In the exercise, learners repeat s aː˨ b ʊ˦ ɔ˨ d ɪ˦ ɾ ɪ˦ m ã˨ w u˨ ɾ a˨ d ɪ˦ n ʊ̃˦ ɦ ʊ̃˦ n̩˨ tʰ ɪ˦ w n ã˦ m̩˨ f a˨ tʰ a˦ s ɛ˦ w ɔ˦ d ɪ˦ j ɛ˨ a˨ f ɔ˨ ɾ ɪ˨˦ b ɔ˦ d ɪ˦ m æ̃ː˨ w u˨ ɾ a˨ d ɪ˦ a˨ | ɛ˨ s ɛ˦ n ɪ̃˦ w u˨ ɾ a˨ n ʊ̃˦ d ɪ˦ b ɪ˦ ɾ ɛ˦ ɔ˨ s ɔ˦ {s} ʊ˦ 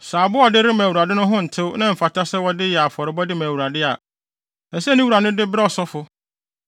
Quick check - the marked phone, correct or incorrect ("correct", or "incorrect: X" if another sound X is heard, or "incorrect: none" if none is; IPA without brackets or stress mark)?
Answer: incorrect: f